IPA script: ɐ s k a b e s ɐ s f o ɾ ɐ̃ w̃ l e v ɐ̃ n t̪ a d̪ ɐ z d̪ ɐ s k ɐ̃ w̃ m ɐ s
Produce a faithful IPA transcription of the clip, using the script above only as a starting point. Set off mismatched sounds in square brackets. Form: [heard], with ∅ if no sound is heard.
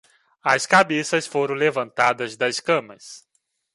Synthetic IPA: ɐ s k a b e s ɐ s f o ɾ ɐ̃ w̃ l e v ɐ̃ n t̪ a d̪ ɐ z d̪ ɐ s k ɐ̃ [∅] m ɐ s